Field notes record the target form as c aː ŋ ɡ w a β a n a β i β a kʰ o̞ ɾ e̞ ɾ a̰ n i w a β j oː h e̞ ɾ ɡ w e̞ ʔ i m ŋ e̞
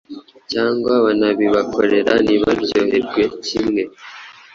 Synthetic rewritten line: c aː ŋ ɡ w a β a n a β i β a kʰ o̞ ɾ e̞ ɾ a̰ n i β a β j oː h e̞ ɾ ɡ w e̞ c i m ŋ e̞